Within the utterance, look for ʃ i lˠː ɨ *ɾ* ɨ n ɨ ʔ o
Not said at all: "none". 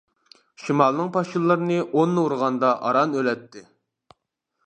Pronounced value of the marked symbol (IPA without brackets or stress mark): ɾ